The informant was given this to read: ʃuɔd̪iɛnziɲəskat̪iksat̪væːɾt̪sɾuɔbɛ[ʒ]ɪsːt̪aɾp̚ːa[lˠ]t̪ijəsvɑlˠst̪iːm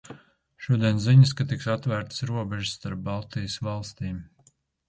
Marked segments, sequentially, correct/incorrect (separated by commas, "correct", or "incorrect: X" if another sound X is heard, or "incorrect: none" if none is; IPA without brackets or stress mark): correct, correct